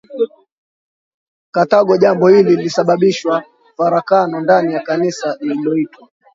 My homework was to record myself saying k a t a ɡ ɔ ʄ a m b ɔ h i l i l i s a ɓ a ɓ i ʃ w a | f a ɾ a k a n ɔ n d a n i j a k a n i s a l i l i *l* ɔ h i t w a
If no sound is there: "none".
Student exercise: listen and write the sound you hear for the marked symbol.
l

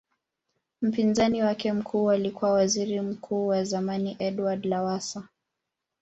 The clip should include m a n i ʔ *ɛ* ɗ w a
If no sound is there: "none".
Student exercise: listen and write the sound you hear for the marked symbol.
ɛ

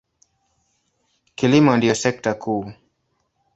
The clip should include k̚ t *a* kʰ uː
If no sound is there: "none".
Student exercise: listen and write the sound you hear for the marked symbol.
a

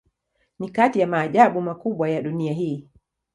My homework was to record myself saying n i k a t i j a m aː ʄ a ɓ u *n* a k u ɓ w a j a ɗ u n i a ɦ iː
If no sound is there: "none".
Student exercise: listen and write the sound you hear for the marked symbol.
m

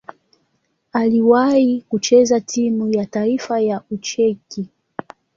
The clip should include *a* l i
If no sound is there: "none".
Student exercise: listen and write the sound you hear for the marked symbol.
a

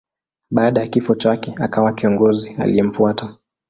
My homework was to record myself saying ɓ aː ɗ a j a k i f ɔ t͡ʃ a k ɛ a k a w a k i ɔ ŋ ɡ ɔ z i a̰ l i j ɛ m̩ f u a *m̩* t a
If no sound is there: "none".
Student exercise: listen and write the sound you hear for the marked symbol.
none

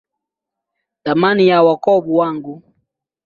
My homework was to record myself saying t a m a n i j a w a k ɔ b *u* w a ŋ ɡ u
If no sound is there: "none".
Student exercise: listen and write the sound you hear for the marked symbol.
u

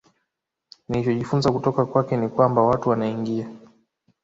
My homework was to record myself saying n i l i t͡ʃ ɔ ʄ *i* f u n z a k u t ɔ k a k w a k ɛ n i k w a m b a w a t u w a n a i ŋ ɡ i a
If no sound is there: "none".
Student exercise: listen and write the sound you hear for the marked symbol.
i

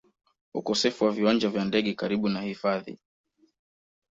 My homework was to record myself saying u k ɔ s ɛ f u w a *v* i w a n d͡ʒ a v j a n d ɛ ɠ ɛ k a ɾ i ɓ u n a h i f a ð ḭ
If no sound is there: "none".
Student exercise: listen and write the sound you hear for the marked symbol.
v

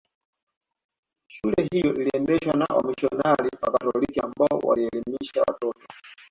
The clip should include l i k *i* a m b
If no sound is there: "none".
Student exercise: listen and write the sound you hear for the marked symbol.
i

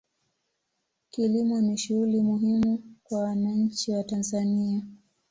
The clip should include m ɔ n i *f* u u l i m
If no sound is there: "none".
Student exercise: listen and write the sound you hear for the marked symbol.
ʃ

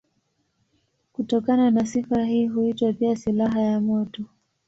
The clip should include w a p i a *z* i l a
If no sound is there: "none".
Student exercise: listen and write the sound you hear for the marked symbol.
s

